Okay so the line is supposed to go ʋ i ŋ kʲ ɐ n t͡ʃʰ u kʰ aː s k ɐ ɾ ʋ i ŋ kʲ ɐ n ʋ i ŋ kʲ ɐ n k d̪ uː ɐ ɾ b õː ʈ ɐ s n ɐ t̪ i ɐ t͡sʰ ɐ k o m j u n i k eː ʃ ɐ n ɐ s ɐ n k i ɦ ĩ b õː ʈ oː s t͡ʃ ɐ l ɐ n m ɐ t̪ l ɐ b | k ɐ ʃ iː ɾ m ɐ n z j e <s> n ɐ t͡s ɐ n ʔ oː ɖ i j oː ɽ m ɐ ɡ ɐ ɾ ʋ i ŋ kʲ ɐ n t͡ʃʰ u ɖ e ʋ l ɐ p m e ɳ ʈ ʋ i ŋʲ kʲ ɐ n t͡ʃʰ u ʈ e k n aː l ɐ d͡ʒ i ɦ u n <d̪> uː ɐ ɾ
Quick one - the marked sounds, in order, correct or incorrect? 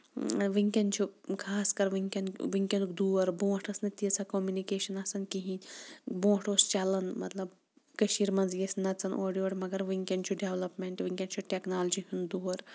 correct, correct

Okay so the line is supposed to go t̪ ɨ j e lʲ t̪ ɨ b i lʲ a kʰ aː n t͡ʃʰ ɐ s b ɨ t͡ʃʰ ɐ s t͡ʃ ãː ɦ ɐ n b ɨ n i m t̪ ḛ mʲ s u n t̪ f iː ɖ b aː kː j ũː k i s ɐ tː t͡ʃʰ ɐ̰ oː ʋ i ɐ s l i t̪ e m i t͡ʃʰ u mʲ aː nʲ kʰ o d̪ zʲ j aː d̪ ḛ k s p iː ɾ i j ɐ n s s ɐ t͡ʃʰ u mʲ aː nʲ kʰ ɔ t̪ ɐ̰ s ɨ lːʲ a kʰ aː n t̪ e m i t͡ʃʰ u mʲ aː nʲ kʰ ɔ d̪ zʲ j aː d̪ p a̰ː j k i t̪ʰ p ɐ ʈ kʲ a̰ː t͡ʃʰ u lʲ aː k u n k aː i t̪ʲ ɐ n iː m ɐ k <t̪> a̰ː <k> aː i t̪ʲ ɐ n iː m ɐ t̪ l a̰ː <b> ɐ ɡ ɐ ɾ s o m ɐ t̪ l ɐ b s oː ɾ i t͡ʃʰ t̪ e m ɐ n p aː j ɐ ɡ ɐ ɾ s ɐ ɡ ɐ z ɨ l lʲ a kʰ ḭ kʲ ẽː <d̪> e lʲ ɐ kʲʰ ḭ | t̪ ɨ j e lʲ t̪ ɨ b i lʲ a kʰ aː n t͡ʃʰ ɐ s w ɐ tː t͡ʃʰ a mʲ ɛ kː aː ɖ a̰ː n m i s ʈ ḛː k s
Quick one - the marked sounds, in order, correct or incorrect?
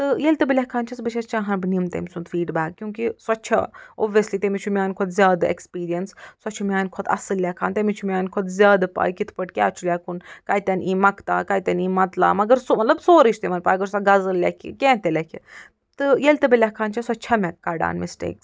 correct, correct, incorrect, incorrect

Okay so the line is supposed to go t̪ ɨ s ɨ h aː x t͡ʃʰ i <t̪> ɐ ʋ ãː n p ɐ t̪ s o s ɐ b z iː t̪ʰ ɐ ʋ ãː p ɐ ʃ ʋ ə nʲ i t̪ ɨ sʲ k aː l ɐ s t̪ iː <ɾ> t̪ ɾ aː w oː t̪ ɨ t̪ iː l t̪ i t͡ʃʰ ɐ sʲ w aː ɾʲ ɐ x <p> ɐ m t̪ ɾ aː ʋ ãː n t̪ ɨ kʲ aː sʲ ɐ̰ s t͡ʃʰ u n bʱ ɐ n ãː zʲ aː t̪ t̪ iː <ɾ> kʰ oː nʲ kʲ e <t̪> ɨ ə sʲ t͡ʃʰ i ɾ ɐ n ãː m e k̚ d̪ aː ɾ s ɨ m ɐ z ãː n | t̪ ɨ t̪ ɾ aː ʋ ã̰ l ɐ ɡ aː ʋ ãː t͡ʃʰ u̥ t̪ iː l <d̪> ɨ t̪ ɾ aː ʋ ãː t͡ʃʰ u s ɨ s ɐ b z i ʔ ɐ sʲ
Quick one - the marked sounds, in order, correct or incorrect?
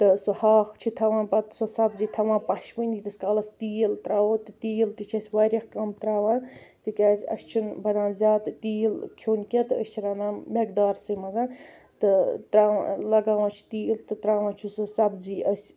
incorrect, incorrect, incorrect, incorrect, correct, incorrect

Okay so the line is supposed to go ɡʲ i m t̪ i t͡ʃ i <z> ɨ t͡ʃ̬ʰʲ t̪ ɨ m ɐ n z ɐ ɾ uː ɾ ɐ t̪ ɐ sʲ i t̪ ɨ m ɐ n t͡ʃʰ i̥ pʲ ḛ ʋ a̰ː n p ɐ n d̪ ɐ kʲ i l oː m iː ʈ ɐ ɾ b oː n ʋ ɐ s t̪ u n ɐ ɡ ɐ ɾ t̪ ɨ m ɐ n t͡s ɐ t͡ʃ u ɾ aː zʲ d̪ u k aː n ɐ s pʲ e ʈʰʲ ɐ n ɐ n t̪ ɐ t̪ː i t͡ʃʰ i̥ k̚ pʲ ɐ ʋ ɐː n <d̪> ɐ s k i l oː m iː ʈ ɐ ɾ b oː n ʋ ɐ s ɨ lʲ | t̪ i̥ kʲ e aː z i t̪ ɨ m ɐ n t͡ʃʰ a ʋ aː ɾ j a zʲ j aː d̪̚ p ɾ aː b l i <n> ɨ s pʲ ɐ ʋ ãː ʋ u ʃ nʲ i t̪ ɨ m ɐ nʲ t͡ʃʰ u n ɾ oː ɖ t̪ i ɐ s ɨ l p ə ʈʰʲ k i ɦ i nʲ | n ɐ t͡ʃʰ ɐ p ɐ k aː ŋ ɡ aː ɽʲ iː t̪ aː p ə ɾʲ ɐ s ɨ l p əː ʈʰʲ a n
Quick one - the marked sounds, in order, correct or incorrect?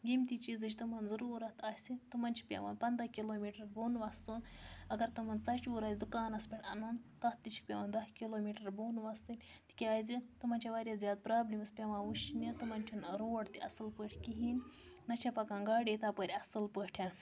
correct, correct, incorrect

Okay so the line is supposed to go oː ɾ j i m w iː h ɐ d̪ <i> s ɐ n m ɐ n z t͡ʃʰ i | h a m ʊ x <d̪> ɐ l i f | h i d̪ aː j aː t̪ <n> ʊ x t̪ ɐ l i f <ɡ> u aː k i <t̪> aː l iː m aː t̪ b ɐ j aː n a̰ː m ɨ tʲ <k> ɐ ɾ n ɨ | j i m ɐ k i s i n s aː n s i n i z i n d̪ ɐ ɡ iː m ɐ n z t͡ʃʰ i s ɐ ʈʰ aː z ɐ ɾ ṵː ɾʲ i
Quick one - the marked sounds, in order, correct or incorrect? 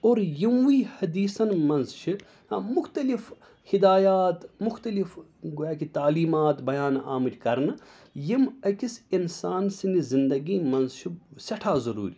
incorrect, incorrect, incorrect, correct, correct, correct

